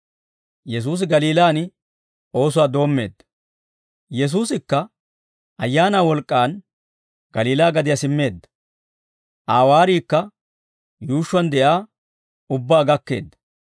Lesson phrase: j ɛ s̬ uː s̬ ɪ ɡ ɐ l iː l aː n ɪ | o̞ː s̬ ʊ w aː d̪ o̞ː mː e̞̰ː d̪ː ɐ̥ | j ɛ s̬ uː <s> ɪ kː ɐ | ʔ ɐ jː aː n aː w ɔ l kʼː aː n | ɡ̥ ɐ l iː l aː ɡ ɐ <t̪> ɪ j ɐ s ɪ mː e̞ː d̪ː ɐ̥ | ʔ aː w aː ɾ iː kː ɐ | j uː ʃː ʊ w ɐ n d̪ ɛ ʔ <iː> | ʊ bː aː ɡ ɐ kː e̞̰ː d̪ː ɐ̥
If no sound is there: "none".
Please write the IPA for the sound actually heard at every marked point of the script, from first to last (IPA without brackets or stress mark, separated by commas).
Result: s, d̪, aː